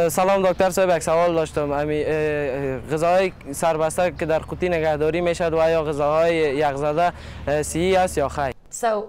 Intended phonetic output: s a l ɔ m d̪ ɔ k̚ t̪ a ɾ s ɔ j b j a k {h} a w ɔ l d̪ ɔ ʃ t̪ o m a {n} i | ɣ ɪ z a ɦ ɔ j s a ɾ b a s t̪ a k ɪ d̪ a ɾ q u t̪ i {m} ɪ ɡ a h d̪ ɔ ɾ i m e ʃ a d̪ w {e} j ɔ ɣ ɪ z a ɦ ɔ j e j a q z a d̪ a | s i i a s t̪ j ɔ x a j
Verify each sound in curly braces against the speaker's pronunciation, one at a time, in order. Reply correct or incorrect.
incorrect, incorrect, incorrect, incorrect

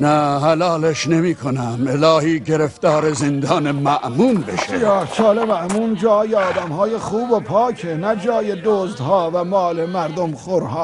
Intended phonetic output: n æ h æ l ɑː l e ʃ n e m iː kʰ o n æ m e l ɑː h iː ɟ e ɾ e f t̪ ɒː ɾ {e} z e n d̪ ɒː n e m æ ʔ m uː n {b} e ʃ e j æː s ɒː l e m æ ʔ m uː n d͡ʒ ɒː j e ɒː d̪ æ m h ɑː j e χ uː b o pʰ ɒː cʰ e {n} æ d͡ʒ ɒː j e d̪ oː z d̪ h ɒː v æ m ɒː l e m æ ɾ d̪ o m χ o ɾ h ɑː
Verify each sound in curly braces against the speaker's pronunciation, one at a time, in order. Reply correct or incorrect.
correct, correct, correct

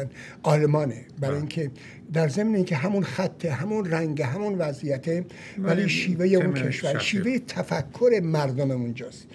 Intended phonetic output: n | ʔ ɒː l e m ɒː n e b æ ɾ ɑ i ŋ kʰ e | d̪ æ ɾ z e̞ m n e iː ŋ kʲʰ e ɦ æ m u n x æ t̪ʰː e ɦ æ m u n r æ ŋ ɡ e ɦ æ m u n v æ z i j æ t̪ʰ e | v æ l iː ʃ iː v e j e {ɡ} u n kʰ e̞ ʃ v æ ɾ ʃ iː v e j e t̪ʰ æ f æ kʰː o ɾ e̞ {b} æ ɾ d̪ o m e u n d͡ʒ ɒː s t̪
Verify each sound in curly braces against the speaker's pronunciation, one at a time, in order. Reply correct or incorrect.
incorrect, incorrect

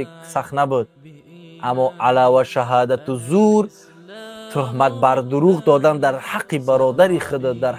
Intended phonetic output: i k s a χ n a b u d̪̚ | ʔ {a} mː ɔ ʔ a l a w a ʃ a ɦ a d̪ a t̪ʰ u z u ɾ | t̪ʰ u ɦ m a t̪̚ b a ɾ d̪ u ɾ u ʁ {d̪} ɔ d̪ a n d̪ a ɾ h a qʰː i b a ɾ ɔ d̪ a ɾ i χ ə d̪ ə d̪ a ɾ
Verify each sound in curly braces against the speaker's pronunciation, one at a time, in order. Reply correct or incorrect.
correct, correct

